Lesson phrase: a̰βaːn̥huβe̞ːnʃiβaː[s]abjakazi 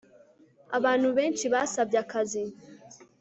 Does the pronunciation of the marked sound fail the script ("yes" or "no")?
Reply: no